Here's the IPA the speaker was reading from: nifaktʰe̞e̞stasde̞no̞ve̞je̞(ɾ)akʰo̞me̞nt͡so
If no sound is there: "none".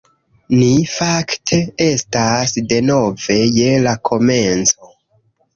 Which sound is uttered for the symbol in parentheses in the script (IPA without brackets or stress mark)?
l